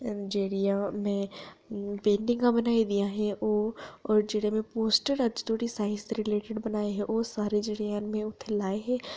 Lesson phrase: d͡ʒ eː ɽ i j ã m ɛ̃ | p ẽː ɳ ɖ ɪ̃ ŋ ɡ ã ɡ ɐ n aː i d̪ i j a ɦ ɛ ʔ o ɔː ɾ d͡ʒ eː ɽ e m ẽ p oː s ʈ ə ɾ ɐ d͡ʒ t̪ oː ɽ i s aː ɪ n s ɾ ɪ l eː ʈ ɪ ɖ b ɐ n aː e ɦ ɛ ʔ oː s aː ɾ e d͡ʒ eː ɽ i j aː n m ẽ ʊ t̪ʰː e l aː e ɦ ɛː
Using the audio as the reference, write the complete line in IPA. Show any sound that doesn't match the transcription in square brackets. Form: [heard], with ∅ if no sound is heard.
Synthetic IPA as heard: d͡ʒ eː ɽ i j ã m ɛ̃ | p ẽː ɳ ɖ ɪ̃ ŋ ɡ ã [b] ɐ n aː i d̪ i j a ɦ ɛ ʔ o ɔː ɾ d͡ʒ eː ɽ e m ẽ p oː s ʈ ə ɾ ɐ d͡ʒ t̪ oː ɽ i s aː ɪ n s ɾ ɪ l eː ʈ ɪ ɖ b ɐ n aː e ɦ ɛ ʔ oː s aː ɾ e d͡ʒ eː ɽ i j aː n m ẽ ʊ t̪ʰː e l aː e ɦ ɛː

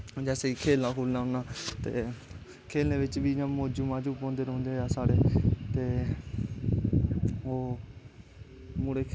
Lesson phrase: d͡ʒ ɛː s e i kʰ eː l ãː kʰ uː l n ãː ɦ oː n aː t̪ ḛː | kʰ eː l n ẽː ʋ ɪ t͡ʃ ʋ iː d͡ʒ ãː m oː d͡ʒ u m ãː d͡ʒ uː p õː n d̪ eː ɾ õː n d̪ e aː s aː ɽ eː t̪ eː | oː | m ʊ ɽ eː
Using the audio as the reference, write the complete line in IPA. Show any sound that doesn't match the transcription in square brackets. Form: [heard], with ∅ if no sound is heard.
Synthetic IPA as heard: d͡ʒ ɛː s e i kʰ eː l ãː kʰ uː l n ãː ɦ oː n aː t̪ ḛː | kʰ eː l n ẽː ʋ ɪ t͡ʃ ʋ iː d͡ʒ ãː m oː d͡ʒ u m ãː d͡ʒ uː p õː n d̪ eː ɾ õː n d̪ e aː s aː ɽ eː t̪ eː | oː | m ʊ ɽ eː

